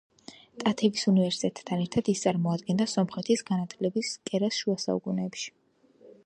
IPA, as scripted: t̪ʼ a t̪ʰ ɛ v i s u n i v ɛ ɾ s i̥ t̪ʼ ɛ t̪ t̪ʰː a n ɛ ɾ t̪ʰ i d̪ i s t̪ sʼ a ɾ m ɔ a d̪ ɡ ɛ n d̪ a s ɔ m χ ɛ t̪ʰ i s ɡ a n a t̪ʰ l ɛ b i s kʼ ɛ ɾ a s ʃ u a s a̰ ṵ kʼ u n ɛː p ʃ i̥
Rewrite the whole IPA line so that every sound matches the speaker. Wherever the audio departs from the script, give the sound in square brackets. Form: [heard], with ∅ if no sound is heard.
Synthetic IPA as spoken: t̪ʼ a t̪ʰ ɛ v i s u n i v ɛ ɾ s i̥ t̪ʼ ɛ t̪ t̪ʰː a n ɛ ɾ t̪ʰ [a] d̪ i s t̪ sʼ a ɾ m ɔ a d̪ ɡ ɛ n d̪ a s ɔ m χ ɛ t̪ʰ i s ɡ a n a t̪ʰ l ɛ b i s kʼ ɛ ɾ a s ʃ u a s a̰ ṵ kʼ u n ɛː p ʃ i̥

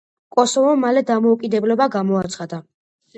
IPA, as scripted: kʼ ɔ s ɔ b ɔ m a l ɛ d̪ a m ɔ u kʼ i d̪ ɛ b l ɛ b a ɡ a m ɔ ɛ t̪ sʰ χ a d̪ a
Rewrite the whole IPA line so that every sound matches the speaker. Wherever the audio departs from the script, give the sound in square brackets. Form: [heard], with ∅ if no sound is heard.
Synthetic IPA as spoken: kʼ ɔ s ɔ [v] ɔ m a l ɛ d̪ a m ɔ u kʼ i d̪ ɛ b l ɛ b a ɡ a m ɔ [a] t̪ sʰ χ a d̪ a

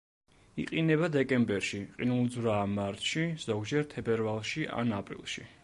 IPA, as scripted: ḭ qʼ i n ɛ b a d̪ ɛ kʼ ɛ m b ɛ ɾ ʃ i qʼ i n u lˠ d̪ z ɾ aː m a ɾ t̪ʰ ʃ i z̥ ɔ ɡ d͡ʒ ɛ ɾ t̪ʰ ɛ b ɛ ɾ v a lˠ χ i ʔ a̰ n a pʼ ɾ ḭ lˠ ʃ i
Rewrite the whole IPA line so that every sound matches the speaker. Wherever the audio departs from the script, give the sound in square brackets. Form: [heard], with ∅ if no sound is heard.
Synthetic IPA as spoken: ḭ qʼ i n ɛ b a d̪ ɛ kʼ ɛ m b ɛ ɾ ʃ i qʼ i n u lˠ d̪ z ɾ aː m a ɾ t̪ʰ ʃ i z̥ ɔ ɡ d͡ʒ ɛ ɾ t̪ʰ ɛ b ɛ ɾ v a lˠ [ʃ] i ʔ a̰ n a pʼ ɾ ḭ lˠ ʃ i

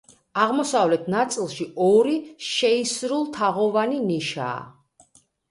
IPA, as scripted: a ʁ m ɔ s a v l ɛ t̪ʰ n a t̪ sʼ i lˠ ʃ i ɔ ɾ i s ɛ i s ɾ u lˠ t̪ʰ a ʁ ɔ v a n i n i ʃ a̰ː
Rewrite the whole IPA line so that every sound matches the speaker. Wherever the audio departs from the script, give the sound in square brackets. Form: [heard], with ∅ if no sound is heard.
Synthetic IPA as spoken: a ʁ m ɔ s a v l ɛ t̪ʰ n a t̪ sʼ i lˠ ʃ i ɔ ɾ i [ʃ] ɛ i s ɾ u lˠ t̪ʰ a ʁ ɔ v a n i n i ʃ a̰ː

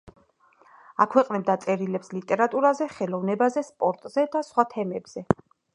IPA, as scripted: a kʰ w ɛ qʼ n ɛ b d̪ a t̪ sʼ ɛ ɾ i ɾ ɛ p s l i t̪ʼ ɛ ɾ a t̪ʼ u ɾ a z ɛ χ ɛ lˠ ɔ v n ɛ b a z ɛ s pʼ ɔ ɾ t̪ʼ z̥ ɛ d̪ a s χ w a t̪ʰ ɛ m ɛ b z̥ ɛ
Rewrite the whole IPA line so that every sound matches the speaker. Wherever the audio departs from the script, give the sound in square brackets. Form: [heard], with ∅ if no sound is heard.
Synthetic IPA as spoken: a kʰ w ɛ qʼ n ɛ b d̪ a t̪ sʼ ɛ ɾ i [l] ɛ p s l i t̪ʼ ɛ ɾ a t̪ʼ u ɾ a z ɛ χ ɛ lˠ ɔ v n ɛ b a z ɛ s pʼ ɔ ɾ t̪ʼ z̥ ɛ d̪ a s χ w a t̪ʰ ɛ m ɛ b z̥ ɛ

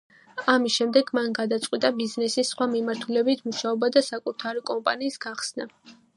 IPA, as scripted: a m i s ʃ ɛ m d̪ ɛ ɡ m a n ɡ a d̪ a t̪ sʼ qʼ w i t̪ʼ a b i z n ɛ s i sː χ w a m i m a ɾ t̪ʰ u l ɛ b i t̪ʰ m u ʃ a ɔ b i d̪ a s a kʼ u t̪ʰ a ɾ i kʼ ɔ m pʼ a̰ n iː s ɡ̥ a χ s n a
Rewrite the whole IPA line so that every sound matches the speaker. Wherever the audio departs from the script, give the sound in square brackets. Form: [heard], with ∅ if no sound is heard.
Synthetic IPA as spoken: a m i s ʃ ɛ m d̪ ɛ ɡ m a n ɡ a d̪ a t̪ sʼ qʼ w i t̪ʼ a b i z n ɛ s i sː χ w a m i m a ɾ t̪ʰ u l ɛ b i t̪ʰ m u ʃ a ɔ b [a] d̪ a s a kʼ u t̪ʰ a ɾ i kʼ ɔ m pʼ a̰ n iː s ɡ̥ a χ s n a

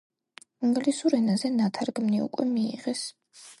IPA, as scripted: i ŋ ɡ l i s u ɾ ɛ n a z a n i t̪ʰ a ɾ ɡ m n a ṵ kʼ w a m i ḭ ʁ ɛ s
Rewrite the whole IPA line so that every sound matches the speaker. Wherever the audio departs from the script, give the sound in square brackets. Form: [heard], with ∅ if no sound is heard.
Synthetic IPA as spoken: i ŋ ɡ l i s u ɾ ɛ n a z [ɛ] n [a] t̪ʰ a ɾ ɡ m n [i] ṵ kʼ w [ɛ] m i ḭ ʁ ɛ s

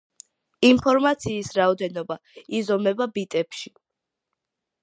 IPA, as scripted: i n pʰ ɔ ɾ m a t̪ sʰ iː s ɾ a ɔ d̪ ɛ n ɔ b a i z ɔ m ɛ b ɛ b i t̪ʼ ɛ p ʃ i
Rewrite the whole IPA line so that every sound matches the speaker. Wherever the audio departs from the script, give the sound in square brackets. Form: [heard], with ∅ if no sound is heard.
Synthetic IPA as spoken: i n pʰ ɔ ɾ m a t̪ sʰ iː s ɾ a ɔ d̪ ɛ n ɔ b a i z ɔ m ɛ b [a] b i t̪ʼ ɛ p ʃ i

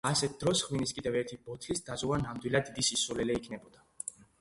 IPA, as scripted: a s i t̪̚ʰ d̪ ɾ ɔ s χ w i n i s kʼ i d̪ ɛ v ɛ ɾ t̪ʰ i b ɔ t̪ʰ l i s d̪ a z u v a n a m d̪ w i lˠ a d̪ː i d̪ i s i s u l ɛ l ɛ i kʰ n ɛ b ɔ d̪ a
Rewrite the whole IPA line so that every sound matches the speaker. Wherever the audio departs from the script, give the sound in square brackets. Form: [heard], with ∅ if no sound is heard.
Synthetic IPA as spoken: a s [ɛ] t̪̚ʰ d̪ ɾ ɔ s χ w i n i s kʼ i d̪ ɛ v ɛ ɾ t̪ʰ i b ɔ t̪ʰ l i s d̪ a z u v a n a m d̪ w i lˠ a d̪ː i d̪ i s i s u l ɛ l ɛ i kʰ n ɛ b ɔ d̪ a

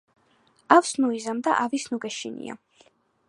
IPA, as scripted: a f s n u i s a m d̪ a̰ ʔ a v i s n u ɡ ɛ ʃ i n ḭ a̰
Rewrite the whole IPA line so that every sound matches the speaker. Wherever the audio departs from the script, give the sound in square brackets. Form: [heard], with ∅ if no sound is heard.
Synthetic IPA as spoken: a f s n u i [z] a m d̪ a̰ ʔ a v i s n u ɡ ɛ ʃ i n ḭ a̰

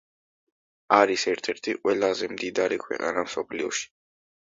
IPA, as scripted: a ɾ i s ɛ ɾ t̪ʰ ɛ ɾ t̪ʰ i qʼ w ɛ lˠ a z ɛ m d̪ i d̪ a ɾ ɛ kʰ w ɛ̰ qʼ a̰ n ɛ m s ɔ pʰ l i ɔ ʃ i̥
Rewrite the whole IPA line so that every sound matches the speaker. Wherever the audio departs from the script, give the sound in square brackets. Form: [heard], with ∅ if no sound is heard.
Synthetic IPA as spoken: a ɾ i s ɛ ɾ t̪ʰ ɛ ɾ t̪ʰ i qʼ w ɛ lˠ a z ɛ m d̪ i d̪ a ɾ [i] kʰ w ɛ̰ qʼ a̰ n [a] m s ɔ pʰ l i ɔ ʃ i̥

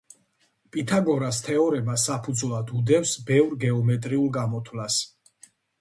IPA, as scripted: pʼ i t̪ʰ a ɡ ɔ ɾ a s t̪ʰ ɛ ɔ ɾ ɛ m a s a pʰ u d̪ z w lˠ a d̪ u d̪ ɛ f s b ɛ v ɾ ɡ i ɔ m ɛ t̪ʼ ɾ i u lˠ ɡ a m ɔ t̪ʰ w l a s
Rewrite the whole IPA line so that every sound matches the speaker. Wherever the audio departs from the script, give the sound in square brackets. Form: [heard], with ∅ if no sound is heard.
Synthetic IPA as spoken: pʼ i t̪ʰ a ɡ ɔ ɾ a s t̪ʰ ɛ ɔ ɾ ɛ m a s a pʰ u d̪ z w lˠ a d̪ u d̪ ɛ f s b ɛ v ɾ ɡ [ɛ] ɔ m ɛ t̪ʼ ɾ i u lˠ ɡ a m ɔ t̪ʰ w l a s

